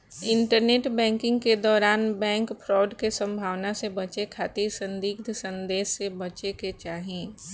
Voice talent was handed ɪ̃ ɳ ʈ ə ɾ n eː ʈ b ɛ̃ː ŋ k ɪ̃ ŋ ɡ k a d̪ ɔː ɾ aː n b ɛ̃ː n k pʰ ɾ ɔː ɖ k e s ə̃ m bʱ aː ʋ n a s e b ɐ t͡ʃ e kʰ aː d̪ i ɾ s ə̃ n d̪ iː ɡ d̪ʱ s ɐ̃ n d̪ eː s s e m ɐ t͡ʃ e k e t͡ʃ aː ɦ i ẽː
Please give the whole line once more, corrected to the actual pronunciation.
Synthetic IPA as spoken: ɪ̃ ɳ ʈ ə ɾ n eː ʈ b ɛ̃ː ŋ k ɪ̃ ŋ ɡ k e d̪ ɔː ɾ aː n b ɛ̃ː ŋ k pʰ ɾ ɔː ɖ k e s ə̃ m bʱ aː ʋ n a s e b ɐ t͡ʃ e kʰ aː t̪ i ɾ s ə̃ n d̪ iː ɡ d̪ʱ s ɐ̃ n d̪ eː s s e b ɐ t͡ʃ e k e t͡ʃ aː ɦ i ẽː